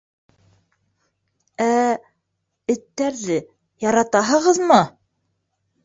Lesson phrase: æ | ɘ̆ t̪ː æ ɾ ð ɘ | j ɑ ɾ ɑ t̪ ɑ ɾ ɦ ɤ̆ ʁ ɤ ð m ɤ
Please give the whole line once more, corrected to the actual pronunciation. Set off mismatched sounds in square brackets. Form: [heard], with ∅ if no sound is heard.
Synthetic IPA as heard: æ | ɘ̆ t̪ː æ ɾ ð ɘ | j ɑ ɾ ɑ t̪ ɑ [∅] ɦ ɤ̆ ʁ ɤ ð m ɤ